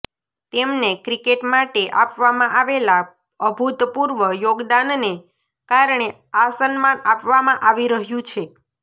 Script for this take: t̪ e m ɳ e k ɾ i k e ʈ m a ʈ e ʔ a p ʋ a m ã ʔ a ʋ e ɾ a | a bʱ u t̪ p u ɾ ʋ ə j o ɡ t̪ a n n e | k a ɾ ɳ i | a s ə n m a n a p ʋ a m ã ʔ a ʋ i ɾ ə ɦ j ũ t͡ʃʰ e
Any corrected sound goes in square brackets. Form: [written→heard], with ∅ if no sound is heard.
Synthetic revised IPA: t̪ e m [ɳ→n] e k ɾ i k e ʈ m a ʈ e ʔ a p ʋ a m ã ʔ a ʋ e [ɾ→l] a | [a→ə] bʱ u t̪ p u ɾ ʋ ə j o ɡ [t̪→d̪] a n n e | k a ɾ ɳ [i→e] | a s ə n m a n a p ʋ a m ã ʔ a ʋ i ɾ ə ɦ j ũ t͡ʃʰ e